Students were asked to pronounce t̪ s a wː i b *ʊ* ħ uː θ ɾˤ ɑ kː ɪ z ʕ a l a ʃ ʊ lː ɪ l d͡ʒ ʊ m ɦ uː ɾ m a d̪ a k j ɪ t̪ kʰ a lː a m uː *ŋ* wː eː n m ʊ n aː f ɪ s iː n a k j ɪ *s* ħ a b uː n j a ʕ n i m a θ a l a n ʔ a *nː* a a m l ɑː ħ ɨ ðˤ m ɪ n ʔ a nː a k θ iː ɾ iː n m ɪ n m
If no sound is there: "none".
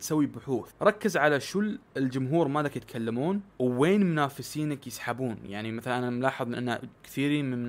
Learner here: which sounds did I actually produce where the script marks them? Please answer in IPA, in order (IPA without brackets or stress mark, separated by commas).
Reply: ʊ, n, s, n